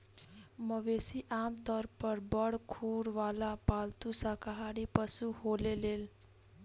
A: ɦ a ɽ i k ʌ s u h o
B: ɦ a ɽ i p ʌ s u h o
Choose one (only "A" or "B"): B